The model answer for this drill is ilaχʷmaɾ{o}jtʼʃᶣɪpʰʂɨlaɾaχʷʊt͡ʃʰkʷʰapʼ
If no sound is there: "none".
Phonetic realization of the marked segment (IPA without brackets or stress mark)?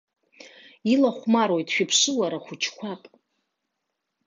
o